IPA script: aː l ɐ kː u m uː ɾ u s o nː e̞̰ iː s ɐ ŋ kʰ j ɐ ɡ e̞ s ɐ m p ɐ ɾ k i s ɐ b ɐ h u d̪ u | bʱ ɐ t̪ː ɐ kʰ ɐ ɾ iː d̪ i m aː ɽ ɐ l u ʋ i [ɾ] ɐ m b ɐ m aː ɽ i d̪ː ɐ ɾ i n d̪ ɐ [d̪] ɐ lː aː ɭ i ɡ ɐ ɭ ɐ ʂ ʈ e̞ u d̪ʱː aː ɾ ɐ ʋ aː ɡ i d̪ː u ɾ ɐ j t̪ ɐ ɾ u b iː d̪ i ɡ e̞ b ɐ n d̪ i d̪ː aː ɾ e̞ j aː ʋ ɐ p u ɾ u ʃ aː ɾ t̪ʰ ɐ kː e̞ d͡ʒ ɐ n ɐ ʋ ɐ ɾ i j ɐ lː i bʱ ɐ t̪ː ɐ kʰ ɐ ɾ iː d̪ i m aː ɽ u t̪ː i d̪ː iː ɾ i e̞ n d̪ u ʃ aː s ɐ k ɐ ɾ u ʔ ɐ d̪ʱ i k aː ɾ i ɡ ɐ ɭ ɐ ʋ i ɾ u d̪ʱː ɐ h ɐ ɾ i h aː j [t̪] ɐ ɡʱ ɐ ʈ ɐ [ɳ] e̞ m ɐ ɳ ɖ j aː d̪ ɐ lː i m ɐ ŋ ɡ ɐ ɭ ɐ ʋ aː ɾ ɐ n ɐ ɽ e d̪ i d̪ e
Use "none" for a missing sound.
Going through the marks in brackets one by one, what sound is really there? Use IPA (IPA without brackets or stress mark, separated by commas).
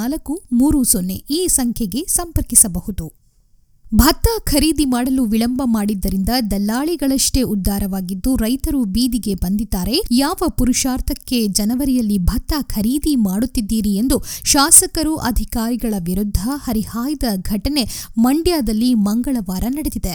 ɭ, d̪, d̪, n